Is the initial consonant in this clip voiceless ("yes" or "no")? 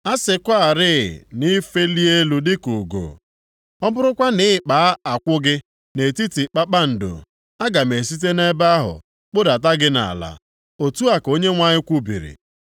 yes